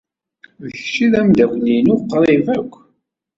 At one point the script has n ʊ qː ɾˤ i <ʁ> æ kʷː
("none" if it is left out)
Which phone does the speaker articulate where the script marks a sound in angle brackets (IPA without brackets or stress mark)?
v